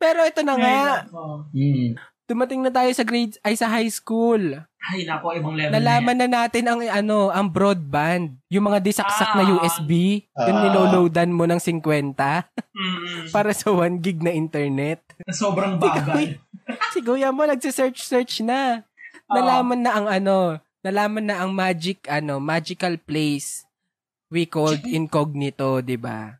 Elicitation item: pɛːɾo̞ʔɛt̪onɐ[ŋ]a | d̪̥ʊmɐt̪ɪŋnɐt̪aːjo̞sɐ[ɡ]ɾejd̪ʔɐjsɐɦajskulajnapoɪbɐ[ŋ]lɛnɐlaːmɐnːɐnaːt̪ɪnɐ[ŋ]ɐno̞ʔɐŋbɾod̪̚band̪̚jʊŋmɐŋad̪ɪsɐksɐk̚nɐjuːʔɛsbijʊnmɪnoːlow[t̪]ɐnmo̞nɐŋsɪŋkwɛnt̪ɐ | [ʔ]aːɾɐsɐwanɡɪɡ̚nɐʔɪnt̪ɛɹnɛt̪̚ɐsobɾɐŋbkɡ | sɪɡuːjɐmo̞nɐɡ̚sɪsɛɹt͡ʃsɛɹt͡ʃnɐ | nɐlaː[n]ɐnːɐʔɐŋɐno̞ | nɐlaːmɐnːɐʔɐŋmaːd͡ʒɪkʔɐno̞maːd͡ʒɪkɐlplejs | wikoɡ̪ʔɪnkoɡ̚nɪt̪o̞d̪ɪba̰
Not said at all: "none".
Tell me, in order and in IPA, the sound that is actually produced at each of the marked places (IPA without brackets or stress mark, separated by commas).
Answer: ŋ, ɡ, ŋ, ŋ, d̪, p, m